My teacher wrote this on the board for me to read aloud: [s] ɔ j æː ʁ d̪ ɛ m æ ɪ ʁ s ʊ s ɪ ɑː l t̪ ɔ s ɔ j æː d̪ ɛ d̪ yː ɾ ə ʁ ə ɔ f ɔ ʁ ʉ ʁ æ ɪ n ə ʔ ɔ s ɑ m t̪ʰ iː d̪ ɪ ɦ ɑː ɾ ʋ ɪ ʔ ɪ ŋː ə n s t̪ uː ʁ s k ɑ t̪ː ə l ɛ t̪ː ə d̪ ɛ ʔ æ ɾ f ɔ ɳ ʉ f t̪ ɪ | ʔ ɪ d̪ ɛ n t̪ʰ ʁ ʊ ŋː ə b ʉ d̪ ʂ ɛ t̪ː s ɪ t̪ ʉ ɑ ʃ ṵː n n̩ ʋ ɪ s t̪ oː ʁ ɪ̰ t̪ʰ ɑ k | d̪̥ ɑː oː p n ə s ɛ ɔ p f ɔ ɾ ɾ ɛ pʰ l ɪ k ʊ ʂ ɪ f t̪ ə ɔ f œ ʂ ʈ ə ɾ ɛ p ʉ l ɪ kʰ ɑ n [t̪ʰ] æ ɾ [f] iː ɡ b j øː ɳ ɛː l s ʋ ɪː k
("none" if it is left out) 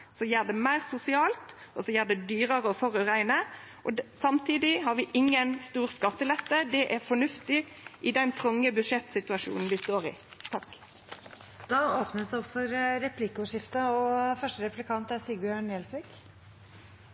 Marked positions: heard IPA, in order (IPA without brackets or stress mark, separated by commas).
s, t̪, s